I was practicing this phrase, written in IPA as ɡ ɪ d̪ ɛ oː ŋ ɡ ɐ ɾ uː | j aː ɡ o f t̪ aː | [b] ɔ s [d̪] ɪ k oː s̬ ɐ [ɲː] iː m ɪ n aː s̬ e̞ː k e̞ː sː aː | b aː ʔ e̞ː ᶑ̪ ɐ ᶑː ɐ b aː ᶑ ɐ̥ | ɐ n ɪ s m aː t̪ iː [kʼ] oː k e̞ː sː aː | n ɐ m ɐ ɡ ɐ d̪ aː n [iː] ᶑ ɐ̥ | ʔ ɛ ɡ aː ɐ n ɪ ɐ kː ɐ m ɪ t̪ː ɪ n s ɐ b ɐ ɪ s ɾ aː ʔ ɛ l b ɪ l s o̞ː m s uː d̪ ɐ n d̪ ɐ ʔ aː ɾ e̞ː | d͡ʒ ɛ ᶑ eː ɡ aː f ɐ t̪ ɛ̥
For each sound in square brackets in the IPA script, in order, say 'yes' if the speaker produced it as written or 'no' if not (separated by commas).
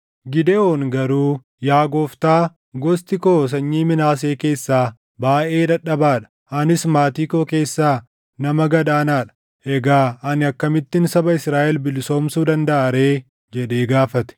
no, no, yes, no, no